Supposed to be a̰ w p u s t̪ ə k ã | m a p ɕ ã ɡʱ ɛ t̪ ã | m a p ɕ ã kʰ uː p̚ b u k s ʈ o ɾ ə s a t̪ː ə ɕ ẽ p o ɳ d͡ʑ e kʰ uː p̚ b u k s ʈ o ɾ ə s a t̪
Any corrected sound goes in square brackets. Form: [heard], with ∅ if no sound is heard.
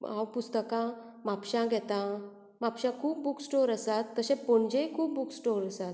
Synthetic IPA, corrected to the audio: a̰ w p u s t̪ ə k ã | m a p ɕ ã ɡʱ ɛ t̪ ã | m a p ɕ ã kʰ uː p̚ b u k s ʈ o ɾ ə s a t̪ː ə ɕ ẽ p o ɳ d͡ʑ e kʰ uː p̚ b u k s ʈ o ɾ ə s a t̪